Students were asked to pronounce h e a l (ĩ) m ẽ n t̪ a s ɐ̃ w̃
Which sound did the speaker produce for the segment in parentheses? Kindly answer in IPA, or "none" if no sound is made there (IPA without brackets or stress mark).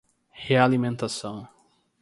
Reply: i